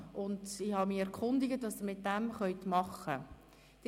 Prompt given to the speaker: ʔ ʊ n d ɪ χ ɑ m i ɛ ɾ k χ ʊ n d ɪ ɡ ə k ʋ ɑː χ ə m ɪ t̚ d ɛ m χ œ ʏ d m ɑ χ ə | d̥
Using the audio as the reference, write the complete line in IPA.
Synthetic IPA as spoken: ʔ ʊ n d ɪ h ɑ m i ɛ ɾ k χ ʊ n d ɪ ɡ ə t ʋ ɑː s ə m ɪ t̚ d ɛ m χ œ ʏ t m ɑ χ ə | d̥